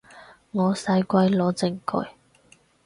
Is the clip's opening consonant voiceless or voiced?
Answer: voiced